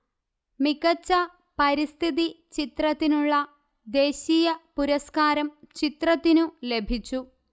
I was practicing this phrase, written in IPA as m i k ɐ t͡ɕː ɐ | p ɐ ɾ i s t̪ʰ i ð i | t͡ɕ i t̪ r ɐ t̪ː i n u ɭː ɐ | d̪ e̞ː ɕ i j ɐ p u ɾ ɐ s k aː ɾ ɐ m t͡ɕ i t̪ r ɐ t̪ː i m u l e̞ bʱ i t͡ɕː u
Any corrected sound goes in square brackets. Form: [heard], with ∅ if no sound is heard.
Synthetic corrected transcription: m i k ɐ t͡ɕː ɐ | p ɐ ɾ i s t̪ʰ i ð i | t͡ɕ i t̪ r ɐ t̪ː i n u ɭː ɐ | d̪ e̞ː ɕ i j ɐ p u ɾ ɐ s k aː ɾ ɐ m t͡ɕ i t̪ r ɐ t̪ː i [n] u l e̞ bʱ i t͡ɕː u